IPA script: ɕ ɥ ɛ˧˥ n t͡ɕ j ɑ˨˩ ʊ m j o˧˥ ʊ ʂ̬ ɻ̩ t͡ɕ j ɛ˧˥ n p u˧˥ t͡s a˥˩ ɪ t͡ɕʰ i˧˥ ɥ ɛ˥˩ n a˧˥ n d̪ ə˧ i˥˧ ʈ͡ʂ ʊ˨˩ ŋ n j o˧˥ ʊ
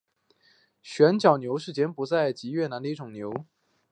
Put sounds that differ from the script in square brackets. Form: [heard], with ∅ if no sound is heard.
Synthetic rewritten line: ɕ ɥ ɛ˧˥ n t͡ɕ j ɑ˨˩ ʊ [n] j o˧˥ ʊ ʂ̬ ɻ̩ t͡ɕ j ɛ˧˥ n p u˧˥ t͡s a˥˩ ɪ [t͡ɕ] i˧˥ ɥ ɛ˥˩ n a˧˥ n d̪ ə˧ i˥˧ ʈ͡ʂ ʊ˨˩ ŋ n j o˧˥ ʊ